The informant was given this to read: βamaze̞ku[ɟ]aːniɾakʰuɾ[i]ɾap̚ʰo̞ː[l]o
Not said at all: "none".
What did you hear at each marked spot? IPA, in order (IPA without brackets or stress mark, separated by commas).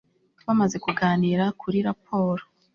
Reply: ɡ, i, ɾ